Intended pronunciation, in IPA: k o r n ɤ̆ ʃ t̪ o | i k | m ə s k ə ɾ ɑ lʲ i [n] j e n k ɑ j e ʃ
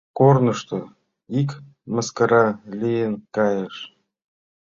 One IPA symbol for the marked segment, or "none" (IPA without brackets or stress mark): none